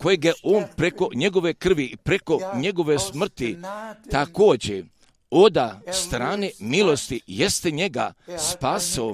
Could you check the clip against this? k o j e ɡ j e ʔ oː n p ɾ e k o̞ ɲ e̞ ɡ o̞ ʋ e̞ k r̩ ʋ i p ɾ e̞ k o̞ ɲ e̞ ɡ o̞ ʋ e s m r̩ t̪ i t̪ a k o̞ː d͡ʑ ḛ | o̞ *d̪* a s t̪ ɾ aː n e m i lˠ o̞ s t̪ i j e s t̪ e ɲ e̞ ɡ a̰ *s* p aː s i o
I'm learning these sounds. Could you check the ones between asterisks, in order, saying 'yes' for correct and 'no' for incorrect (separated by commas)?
yes, yes